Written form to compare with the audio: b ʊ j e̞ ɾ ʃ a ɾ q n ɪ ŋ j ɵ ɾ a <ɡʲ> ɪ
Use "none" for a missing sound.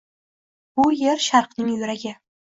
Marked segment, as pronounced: ɡʲ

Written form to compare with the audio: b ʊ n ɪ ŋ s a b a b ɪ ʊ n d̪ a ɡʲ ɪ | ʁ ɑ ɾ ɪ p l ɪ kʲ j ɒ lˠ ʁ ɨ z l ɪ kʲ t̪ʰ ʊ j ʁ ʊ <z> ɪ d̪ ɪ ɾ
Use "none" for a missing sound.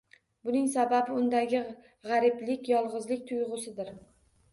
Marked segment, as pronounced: s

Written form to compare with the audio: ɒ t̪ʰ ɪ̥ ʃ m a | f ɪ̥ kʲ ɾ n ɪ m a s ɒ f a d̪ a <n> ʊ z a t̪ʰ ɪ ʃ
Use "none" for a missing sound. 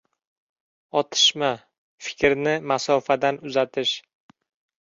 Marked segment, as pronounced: n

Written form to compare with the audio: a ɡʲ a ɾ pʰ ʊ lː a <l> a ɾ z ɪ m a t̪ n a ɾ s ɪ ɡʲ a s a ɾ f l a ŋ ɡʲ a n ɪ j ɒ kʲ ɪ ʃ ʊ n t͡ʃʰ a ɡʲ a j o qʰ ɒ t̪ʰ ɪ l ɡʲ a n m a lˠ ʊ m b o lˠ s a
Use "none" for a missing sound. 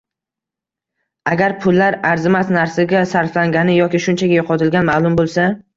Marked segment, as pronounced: ɾ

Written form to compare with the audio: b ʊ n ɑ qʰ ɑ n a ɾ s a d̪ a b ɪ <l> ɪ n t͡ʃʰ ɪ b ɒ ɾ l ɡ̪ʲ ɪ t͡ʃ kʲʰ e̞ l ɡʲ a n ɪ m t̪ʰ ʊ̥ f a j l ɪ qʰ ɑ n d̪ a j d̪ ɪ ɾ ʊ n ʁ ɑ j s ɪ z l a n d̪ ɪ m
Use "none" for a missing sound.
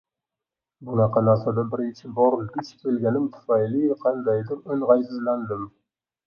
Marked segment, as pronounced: ɾ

